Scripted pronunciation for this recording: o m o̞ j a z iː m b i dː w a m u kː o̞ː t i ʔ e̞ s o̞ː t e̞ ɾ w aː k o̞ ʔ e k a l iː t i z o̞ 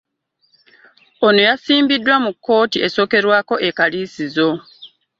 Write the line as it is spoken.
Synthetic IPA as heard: o n o̞ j a s iː m b i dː w a m u kː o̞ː t i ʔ e̞ s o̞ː k e̞ ɾ w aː k o̞ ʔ e k a l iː s i z o̞